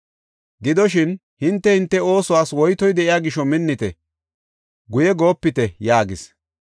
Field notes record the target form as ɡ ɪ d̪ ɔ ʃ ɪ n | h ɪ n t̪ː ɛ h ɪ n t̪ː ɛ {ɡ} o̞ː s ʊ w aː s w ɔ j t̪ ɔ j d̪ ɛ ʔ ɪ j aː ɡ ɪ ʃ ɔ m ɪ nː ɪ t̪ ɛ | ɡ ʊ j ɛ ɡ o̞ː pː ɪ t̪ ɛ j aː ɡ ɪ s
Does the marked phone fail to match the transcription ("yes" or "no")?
yes